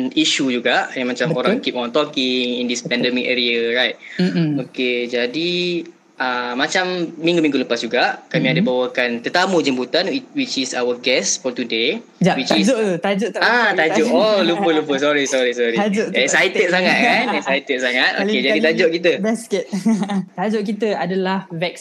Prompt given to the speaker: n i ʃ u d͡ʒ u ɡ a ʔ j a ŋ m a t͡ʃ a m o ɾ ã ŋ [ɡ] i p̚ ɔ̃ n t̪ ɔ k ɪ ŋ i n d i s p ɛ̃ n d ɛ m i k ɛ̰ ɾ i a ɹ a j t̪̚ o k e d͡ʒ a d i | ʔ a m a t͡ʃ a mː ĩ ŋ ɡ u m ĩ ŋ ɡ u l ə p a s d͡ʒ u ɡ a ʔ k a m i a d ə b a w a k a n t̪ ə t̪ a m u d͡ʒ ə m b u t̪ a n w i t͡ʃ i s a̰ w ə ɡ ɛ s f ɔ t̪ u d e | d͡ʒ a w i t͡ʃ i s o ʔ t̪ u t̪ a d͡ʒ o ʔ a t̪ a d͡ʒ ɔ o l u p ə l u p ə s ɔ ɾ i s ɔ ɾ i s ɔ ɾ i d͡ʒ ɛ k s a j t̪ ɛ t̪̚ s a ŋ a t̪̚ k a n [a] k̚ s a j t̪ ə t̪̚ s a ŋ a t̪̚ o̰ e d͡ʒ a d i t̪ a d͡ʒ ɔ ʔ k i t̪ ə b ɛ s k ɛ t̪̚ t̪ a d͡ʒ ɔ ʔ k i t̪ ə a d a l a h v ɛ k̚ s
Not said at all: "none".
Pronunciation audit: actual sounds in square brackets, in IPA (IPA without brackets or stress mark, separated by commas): k, ɛ